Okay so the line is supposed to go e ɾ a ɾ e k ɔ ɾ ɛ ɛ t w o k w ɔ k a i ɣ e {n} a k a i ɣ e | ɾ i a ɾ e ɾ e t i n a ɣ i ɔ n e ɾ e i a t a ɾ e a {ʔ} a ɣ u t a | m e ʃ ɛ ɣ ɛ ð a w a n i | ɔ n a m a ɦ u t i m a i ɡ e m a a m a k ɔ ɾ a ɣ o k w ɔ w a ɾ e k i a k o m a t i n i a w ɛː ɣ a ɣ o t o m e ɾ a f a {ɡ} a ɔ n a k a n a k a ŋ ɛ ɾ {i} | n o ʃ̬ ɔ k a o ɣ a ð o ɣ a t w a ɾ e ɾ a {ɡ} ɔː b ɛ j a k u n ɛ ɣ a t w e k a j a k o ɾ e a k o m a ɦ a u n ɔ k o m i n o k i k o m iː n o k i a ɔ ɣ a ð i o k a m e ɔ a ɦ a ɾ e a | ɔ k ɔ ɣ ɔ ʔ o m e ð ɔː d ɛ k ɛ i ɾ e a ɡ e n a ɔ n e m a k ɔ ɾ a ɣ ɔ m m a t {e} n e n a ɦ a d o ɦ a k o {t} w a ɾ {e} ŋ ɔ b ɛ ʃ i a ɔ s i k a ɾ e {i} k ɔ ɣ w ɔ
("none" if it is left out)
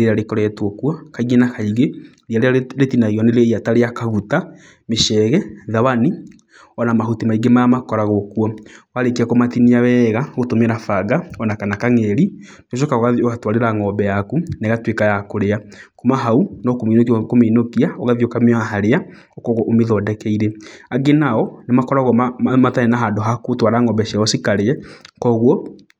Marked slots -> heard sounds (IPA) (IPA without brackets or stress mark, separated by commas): n, k, ɡ, i, ŋ, a, t, a, ɛ